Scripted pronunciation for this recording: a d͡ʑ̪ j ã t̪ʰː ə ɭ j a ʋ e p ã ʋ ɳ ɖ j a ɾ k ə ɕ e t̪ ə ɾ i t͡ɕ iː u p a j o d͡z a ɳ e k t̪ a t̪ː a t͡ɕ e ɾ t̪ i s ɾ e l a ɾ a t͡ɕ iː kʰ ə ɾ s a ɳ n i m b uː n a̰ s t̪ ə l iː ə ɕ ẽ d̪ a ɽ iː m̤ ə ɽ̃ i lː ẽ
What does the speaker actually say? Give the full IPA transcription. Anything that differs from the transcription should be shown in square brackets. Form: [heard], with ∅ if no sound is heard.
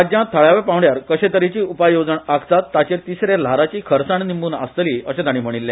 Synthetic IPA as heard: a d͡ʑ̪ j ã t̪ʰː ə ɭ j a ʋ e p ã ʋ ɳ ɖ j a ɾ k ə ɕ e t̪ ə ɾ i t͡ɕ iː u p a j o d͡z [ə] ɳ [a] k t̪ a t̪ː a t͡ɕ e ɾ t̪ i s ɾ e l a ɾ a t͡ɕ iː kʰ ə ɾ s a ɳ n i m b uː n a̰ s t̪ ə l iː ə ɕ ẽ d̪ a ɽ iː m̤ ə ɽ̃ i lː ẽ